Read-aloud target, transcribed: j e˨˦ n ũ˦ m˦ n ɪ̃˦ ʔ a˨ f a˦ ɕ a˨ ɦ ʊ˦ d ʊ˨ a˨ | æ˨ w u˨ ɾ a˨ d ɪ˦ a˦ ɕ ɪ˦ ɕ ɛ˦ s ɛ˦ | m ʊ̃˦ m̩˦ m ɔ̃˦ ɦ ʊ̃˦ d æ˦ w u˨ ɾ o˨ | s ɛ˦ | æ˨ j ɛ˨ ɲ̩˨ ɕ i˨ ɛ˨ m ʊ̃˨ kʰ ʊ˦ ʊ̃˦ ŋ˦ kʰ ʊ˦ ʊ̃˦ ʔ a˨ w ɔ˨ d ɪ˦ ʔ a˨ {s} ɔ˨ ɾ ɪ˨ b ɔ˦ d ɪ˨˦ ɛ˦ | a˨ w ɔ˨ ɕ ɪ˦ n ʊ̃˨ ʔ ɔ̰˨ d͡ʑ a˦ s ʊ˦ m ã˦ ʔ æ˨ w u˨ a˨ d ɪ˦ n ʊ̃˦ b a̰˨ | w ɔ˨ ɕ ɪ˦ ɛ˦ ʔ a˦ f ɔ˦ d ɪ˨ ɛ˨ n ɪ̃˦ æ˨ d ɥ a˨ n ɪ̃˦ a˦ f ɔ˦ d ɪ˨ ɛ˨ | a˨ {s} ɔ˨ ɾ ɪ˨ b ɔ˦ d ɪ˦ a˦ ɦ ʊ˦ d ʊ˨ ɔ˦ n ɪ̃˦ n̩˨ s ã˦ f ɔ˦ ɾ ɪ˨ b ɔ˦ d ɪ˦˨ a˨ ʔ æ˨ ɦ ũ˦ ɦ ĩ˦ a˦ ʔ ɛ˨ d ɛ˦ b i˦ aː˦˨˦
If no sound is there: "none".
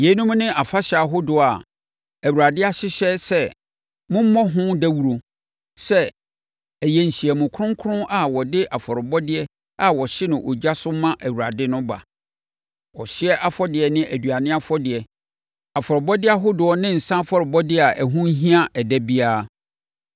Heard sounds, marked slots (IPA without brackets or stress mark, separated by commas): f, f